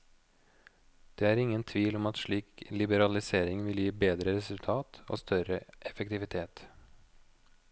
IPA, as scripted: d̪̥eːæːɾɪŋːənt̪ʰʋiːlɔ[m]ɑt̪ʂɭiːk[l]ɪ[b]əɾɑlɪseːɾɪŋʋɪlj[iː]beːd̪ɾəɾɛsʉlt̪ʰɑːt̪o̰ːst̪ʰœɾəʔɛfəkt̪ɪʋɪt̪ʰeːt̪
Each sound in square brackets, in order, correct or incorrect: correct, correct, correct, correct

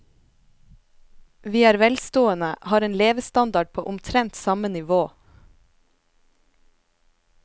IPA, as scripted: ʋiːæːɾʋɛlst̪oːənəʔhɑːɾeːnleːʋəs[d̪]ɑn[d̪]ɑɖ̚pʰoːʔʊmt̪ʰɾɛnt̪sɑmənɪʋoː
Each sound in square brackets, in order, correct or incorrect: incorrect: t̪, correct

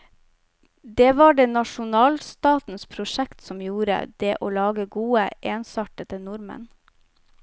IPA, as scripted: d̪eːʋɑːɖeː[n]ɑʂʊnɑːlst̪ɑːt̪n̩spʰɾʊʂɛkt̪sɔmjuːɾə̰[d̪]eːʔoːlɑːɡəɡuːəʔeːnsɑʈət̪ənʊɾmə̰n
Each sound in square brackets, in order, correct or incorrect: correct, correct

